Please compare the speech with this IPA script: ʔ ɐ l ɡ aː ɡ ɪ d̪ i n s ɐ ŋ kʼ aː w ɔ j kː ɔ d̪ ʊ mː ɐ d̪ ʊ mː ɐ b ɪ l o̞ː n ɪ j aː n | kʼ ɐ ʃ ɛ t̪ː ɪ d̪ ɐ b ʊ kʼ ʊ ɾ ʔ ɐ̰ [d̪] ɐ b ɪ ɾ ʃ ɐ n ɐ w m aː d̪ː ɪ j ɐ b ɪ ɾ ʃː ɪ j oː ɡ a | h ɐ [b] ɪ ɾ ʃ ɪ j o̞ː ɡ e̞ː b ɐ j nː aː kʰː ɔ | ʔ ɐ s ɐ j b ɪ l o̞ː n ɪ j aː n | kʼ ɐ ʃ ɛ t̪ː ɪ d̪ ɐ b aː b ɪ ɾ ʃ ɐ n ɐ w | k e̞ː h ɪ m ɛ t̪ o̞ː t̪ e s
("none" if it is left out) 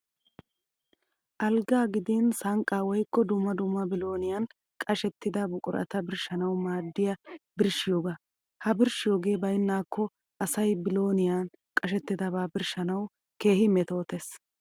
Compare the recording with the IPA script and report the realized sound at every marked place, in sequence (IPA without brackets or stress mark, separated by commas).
t̪, b